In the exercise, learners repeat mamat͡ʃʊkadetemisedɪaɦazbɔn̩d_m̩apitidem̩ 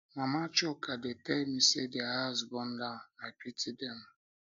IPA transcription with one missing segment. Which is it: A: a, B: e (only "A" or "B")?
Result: A